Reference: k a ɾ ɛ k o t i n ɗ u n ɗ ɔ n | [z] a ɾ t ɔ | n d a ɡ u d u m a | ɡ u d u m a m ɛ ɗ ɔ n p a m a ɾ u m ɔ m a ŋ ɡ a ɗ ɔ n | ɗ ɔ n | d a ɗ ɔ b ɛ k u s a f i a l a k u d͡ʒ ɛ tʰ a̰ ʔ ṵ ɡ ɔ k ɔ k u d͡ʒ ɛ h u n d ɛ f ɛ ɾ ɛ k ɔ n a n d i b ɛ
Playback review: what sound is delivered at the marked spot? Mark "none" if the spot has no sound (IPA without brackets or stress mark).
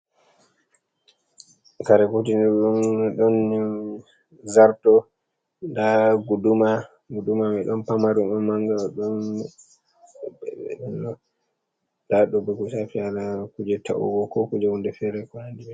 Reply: z